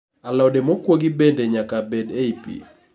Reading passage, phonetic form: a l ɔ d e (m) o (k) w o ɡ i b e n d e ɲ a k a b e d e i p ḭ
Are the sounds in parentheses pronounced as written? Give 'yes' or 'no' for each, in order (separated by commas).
yes, yes